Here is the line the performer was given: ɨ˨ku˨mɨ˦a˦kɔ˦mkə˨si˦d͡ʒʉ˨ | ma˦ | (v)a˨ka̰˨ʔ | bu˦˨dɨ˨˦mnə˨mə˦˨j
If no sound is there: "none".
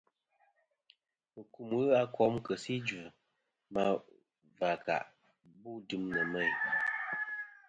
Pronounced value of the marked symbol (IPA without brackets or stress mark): v